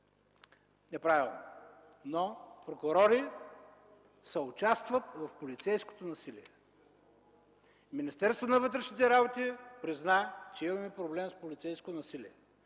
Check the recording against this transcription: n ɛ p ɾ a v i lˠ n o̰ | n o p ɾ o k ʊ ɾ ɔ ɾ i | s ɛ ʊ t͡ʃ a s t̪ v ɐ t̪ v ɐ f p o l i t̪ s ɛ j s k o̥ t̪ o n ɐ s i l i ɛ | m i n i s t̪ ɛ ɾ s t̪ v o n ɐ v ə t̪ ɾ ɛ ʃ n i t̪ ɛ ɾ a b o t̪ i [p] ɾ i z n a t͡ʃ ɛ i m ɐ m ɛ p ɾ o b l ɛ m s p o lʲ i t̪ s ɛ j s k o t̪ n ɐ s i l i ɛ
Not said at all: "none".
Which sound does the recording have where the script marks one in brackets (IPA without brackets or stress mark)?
p